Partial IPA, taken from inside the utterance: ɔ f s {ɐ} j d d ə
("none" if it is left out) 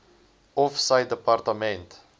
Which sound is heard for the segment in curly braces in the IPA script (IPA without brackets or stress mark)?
a